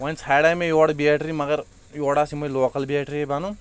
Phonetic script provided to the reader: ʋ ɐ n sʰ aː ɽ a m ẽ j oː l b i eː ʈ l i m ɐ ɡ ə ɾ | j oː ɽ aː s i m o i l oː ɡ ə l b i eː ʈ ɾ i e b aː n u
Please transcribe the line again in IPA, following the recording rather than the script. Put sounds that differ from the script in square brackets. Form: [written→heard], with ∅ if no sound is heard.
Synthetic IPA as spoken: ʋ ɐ n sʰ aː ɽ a m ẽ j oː [l→ɽ] b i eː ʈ [l→ɾ] i m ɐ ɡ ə ɾ | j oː ɽ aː s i m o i l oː [ɡ→k] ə l b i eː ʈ ɾ i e b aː n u